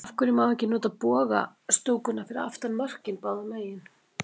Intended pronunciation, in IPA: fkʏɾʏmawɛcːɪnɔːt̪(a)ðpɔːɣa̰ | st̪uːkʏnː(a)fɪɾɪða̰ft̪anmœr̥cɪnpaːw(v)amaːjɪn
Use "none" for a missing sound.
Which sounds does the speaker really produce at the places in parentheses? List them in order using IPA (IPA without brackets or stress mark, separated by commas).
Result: a, a, ð